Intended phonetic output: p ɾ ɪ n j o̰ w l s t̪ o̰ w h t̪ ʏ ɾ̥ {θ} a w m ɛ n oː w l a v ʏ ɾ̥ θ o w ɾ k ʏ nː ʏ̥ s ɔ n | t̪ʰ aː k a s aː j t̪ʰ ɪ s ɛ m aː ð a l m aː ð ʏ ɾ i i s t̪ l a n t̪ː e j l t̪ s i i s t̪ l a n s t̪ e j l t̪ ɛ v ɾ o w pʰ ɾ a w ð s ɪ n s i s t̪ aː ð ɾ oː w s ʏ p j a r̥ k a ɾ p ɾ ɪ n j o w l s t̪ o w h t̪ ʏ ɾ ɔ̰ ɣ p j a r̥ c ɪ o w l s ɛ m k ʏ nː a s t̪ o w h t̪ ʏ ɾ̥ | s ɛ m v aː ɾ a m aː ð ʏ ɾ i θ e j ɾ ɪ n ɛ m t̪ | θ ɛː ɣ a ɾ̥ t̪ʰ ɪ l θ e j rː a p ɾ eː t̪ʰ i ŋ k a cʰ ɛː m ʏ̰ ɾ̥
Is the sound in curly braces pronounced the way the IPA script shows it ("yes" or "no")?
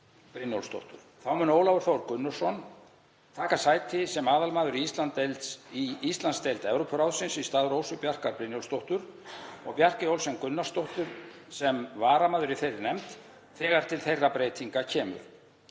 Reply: yes